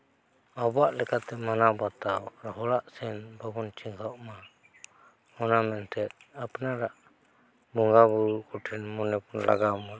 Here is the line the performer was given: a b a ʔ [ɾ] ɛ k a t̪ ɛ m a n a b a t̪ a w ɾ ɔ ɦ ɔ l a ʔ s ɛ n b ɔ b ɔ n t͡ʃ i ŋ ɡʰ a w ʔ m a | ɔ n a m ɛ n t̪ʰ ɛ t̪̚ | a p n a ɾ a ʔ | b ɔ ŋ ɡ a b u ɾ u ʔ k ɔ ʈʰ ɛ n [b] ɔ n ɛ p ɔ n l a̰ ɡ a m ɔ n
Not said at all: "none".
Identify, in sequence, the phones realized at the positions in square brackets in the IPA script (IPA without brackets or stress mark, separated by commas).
l, m